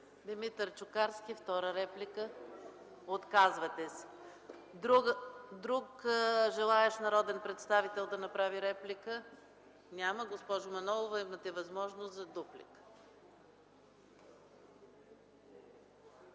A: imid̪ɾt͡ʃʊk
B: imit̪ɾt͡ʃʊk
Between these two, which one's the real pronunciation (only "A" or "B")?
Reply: B